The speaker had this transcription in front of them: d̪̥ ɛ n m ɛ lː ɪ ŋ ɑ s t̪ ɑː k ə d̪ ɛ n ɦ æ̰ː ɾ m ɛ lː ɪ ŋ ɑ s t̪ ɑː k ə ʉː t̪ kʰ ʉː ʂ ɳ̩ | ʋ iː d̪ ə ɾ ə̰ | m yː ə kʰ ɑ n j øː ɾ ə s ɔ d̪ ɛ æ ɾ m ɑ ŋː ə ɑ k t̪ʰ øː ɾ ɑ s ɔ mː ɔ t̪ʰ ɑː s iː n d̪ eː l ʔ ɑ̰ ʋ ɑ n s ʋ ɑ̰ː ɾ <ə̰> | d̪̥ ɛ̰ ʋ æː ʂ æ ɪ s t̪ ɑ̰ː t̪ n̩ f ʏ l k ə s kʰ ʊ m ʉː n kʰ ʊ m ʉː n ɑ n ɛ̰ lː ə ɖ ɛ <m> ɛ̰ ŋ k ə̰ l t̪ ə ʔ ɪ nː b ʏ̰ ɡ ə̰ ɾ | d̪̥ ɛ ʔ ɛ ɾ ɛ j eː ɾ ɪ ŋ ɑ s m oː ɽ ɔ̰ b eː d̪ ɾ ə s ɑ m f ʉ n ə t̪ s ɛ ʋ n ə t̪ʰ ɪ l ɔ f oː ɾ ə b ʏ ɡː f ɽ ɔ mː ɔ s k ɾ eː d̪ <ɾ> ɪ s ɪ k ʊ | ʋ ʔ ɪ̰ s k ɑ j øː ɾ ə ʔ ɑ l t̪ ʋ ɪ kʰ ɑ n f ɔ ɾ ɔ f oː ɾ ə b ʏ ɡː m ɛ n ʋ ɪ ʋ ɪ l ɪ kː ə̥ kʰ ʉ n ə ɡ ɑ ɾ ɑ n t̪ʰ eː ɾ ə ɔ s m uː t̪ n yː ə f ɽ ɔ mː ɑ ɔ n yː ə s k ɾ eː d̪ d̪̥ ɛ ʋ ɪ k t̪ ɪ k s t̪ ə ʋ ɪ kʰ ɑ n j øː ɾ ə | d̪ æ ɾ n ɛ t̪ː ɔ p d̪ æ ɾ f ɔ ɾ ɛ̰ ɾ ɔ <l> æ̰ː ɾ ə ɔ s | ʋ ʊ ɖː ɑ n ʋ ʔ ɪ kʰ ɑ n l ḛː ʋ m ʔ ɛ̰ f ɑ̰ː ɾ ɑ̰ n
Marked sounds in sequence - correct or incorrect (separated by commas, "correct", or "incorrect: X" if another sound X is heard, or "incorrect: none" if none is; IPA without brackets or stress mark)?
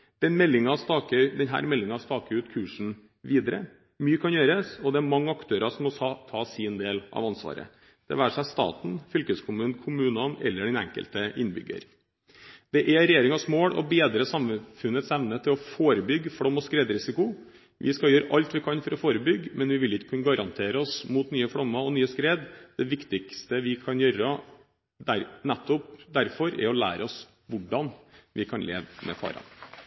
correct, incorrect: n, correct, correct